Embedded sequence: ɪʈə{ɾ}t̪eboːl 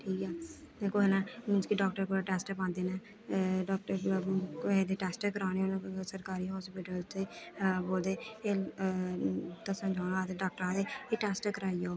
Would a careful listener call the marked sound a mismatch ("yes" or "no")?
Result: yes